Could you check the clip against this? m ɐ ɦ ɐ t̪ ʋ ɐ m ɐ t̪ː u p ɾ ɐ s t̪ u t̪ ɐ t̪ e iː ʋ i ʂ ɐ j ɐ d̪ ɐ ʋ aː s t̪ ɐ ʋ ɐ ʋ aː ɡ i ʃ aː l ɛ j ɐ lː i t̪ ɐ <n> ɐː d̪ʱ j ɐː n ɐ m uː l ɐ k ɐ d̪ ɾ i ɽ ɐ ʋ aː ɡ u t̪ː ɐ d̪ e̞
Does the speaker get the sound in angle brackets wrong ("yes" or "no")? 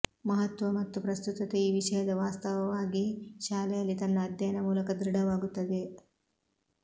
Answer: yes